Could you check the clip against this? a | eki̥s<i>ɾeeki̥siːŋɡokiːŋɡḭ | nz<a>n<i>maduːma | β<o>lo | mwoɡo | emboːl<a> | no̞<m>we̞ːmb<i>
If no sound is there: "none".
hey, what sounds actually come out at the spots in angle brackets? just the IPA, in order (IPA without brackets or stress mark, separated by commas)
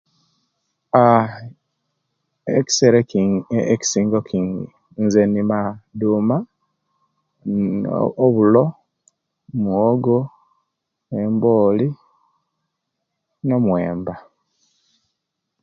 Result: e, e, i, u, i, m, a